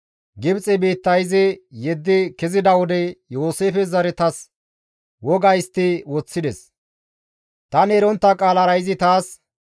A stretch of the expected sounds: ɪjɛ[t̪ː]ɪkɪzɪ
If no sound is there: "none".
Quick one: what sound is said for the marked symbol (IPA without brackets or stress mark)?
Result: d̪ː